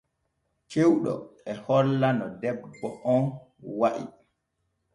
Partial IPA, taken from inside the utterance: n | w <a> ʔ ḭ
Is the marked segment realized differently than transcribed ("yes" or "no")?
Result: no